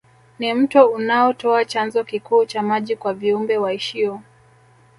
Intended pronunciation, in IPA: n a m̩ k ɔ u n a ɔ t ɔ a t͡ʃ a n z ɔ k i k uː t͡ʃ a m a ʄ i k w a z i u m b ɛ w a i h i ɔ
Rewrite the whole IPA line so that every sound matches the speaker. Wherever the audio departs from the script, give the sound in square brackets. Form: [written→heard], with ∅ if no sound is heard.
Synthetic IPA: n [a→i] m̩ [k→t] ɔ u n a ɔ t ɔ a t͡ʃ a n z ɔ k i k uː t͡ʃ a m a ʄ i k w a [z→v] i u m b ɛ w a i [h→ʃ] i ɔ